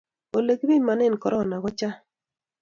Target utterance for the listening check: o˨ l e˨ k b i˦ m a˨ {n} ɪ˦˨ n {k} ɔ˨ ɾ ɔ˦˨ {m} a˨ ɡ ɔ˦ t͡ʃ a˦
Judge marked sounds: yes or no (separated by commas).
yes, yes, no